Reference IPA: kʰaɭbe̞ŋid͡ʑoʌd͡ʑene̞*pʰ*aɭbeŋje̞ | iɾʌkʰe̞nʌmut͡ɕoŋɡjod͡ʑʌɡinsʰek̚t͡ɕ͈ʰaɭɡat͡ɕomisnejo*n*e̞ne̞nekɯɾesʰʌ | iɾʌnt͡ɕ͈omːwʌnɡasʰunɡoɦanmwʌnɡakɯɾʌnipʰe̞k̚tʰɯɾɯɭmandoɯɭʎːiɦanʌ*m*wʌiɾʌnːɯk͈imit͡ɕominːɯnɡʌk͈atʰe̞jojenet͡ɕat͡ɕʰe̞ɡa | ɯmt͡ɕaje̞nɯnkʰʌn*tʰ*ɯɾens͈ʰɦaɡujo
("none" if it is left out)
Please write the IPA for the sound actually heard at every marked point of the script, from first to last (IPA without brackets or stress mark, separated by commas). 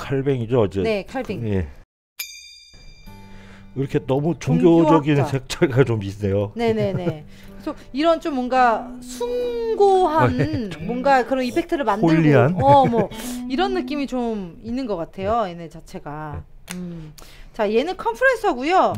kʰ, n, m, pʰ